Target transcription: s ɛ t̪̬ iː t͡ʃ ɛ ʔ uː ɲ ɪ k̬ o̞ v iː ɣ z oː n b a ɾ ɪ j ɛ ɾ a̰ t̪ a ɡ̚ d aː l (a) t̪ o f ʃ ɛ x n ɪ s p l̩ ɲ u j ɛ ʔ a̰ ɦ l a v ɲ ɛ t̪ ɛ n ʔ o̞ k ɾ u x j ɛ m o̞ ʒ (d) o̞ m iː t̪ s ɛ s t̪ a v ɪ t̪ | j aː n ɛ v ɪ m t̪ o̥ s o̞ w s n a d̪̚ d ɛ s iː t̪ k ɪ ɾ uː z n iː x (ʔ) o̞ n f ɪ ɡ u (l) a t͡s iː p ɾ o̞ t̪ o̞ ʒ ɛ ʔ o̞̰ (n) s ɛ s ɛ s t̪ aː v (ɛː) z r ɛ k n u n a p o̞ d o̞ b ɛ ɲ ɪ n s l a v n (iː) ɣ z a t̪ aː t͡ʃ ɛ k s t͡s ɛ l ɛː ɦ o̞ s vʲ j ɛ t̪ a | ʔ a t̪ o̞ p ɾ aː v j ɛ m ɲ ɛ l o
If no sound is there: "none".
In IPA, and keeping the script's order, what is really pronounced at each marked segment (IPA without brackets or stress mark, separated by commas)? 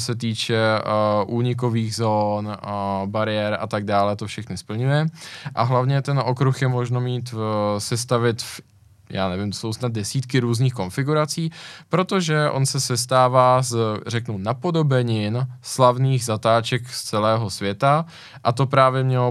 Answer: ɛ, n, k, ɾ, n, aː, iː